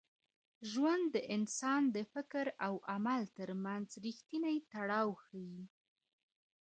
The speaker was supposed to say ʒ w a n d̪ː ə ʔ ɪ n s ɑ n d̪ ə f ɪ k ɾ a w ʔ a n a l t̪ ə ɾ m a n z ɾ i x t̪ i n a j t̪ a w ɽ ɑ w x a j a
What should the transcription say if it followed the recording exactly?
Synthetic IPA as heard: ʒ w a n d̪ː ə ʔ ɪ n s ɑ n d̪ ə f ɪ k ɾ a w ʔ a m a l t̪ ə ɾ m a n z ɾ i x t̪ i n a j t̪ a ɽ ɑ w x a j i